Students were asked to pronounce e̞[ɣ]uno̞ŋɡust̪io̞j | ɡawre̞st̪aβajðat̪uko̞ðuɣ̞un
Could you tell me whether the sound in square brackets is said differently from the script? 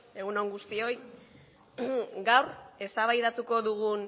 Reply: no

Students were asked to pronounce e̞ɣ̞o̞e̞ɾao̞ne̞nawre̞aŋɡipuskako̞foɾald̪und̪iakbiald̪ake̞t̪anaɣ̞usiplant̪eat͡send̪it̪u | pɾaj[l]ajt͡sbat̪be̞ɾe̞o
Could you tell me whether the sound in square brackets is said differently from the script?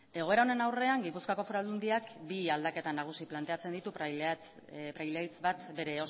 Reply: no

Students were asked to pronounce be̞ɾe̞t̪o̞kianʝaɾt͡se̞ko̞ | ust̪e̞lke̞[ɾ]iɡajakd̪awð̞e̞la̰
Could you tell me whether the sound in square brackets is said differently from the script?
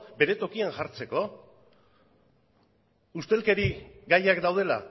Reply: no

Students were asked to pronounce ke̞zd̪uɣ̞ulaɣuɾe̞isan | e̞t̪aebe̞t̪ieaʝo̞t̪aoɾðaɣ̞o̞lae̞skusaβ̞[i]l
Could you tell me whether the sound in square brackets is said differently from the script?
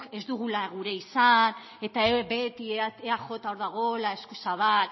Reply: yes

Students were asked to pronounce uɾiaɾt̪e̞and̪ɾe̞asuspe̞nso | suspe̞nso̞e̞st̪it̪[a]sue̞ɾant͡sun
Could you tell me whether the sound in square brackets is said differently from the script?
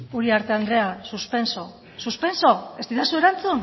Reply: no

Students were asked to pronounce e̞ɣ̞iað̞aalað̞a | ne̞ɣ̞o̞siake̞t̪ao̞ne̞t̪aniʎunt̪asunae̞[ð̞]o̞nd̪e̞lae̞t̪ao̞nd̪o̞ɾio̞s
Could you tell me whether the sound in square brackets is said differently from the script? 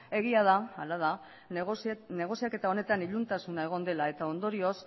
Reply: yes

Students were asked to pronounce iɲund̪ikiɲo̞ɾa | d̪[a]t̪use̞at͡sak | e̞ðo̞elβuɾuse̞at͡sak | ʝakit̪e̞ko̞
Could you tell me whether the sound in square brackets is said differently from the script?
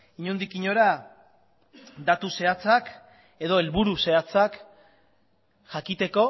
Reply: no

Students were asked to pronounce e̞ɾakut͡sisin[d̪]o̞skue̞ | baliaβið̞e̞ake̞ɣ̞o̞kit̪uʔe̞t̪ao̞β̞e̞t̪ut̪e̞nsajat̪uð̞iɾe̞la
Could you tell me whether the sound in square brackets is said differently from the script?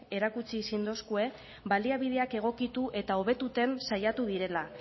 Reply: no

